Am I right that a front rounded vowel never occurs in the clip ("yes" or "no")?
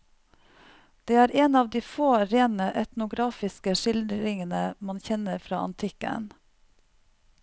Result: yes